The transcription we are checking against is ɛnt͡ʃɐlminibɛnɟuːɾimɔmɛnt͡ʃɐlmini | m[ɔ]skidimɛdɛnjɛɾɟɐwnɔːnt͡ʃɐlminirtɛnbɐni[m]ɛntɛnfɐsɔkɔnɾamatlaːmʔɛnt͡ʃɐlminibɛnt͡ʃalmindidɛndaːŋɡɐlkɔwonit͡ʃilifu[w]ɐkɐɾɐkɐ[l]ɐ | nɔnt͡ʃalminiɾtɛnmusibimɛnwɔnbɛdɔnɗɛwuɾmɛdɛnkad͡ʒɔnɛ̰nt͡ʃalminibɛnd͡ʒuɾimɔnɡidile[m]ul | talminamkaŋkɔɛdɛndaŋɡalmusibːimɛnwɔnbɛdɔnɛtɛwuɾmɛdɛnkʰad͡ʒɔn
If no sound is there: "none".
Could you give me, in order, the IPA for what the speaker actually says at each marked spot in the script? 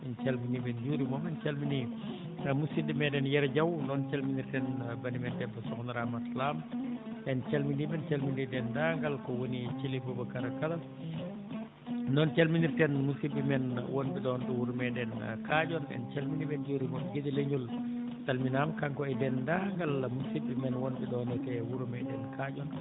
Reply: u, m, b, l, ɲ

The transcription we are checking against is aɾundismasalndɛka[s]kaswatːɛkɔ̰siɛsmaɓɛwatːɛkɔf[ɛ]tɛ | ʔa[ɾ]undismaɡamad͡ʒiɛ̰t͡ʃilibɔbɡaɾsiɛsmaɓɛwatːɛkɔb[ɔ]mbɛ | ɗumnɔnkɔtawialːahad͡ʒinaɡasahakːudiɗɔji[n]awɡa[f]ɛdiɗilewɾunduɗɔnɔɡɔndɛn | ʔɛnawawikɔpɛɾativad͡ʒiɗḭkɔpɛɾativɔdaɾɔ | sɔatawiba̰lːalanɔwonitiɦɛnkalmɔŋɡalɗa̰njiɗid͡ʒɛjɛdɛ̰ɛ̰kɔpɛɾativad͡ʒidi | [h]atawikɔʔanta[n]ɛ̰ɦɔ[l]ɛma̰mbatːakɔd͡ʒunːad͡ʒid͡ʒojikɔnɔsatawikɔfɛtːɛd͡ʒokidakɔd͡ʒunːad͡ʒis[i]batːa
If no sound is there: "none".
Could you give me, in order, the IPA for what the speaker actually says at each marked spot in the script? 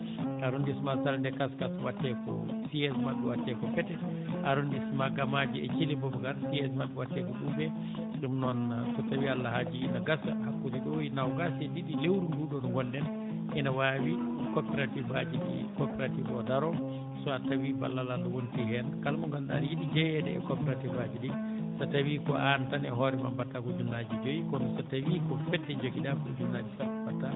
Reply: s, ɛ, ɾ, u, n, s, s, n, ɾ, a

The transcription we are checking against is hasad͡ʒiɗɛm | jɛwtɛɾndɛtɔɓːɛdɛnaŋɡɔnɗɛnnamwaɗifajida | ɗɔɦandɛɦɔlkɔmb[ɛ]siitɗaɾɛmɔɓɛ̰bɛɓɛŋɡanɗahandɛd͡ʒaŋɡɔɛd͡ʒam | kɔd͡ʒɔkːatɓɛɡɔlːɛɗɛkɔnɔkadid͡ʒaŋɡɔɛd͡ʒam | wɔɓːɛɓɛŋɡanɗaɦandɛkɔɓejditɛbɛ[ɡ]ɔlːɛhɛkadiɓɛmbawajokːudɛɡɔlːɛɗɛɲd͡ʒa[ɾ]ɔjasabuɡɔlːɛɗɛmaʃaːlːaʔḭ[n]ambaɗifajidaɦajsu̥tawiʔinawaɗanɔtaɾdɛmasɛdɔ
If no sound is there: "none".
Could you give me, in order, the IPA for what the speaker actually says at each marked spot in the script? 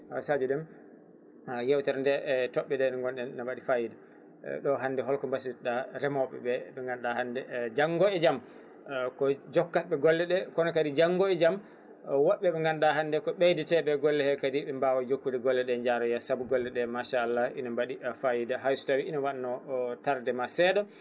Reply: a, ɡ, ɾ, n

